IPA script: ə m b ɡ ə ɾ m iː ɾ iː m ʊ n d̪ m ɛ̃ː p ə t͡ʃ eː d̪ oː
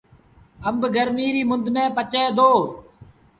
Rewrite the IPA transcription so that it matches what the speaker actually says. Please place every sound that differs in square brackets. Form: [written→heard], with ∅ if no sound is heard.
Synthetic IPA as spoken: ə m b ɡ ə ɾ m iː ɾ iː m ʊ n d̪ m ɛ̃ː p ə t͡ʃ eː d̪ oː